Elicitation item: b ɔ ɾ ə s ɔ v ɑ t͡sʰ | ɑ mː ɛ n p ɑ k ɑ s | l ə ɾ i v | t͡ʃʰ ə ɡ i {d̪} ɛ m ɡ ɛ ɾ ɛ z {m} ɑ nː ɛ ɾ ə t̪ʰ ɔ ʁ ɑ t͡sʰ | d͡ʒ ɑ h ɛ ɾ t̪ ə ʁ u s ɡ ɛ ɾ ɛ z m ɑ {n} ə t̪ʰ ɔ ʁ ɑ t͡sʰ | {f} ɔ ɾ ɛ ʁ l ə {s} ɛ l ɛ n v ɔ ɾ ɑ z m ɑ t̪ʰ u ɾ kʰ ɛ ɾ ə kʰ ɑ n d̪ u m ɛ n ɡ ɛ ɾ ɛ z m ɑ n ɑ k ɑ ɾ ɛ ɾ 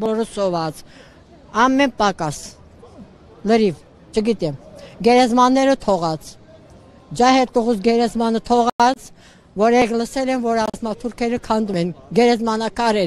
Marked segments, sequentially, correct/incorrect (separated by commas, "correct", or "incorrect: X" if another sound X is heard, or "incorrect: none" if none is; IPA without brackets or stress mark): incorrect: t̪, correct, correct, incorrect: v, correct